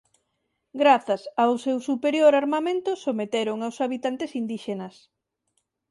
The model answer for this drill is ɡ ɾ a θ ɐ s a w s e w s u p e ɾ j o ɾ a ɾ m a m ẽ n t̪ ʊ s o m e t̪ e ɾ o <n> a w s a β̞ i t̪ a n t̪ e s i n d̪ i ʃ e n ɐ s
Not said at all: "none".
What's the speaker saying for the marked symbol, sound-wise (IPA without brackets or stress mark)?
ŋ